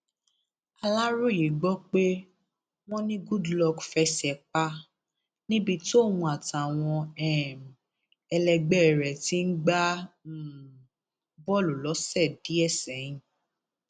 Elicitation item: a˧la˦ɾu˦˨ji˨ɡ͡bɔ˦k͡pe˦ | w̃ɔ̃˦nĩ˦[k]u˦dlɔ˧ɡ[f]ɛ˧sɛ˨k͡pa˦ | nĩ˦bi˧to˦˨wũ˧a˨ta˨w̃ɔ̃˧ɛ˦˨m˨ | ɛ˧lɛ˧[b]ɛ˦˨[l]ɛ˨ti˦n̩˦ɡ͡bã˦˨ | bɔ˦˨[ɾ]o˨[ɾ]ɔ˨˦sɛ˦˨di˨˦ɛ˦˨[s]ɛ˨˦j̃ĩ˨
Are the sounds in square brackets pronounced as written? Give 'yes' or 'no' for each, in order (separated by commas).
no, yes, no, no, no, no, yes